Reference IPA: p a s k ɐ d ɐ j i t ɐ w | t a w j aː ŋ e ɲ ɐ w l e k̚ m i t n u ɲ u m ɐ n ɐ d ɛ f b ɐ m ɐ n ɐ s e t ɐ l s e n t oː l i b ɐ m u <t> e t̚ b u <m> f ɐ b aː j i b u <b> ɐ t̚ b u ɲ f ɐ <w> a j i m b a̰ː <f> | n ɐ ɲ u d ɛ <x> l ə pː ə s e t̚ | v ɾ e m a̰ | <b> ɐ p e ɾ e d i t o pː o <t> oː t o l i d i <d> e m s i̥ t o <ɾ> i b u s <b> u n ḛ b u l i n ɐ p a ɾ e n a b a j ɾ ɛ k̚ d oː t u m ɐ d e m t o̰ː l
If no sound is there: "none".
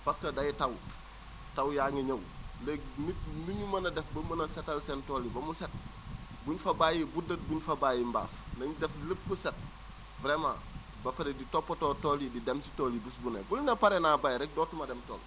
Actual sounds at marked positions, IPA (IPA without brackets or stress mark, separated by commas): s, ɲ, d, b, f, f, b, t, d, l, b